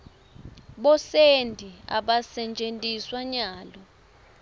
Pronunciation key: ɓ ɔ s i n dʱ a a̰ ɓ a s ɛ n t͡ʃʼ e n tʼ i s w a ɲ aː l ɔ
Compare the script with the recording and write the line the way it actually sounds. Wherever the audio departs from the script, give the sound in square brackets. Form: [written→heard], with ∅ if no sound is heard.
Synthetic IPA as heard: ɓ ɔ s [i→e] n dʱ [a→i] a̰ ɓ a s ɛ n t͡ʃʼ e n tʼ i s w a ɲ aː l ɔ